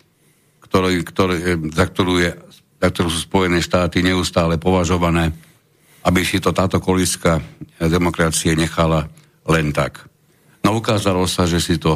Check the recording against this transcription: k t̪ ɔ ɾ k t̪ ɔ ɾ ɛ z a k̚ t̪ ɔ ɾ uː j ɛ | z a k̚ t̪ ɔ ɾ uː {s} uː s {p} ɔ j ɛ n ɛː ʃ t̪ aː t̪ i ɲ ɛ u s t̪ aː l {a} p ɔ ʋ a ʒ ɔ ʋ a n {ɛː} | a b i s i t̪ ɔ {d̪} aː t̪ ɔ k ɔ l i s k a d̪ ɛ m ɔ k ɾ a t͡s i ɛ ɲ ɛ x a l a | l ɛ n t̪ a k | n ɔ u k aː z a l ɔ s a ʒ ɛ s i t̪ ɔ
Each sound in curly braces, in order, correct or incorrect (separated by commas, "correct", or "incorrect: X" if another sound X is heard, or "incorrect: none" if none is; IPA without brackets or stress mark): correct, correct, incorrect: ɛ, correct, incorrect: t̪